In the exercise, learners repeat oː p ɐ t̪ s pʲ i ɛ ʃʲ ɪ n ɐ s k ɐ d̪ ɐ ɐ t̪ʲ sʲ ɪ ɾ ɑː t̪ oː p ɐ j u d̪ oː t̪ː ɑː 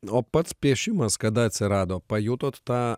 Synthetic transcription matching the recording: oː p ɐ t̪ s pʲ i ɛ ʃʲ ɪ m ɐ s k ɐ d̪ ɐ ɐ t̪ʲ sʲ ɪ ɾ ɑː d̪ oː p ɐ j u t̪ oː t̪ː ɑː